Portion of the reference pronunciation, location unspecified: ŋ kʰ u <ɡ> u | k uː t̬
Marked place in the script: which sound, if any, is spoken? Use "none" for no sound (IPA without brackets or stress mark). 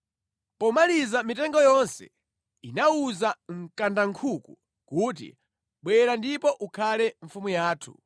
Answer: k